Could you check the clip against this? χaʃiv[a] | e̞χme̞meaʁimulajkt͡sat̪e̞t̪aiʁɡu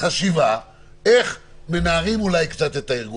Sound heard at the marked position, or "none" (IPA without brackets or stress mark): a